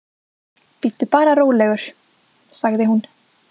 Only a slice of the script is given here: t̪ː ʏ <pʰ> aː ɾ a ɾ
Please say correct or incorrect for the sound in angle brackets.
incorrect